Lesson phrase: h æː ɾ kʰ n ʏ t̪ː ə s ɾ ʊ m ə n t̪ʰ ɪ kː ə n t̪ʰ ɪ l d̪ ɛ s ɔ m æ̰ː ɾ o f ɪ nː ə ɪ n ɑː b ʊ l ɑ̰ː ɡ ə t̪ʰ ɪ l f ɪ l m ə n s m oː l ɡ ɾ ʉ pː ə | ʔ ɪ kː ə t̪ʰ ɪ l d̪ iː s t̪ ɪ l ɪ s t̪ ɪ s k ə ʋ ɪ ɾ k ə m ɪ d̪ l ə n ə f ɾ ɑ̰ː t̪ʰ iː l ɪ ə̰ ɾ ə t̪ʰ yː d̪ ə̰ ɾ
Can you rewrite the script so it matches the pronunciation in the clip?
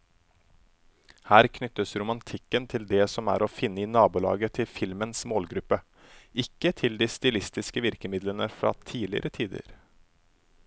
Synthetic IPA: h æː ɾ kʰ n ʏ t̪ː ə s ɾ ʊ m ɑ n t̪ʰ ɪ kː ə n t̪ʰ ɪ l d̪ ɛ s ɔ m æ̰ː ɾ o f ɪ nː ə ɪ n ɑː b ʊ l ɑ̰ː ɡ ə t̪ʰ ɪ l f ɪ l m ə n s m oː l ɡ ɾ ʉ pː ə | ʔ ɪ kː ə t̪ʰ ɪ l d̪ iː s t̪ ɪ l ɪ s t̪ ɪ s k ə ʋ ɪ ɾ k ə m ɪ d̪ l ə n ə f ɾ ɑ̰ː t̪ʰ iː l ɪ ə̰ ɾ ə t̪ʰ iː d̪ ə̰ ɾ